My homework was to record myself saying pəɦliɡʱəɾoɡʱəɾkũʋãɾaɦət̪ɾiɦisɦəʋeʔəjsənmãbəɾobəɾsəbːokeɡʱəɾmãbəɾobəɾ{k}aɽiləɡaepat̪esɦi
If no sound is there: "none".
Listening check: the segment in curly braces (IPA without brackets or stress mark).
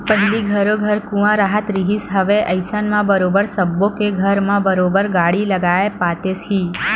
ɡ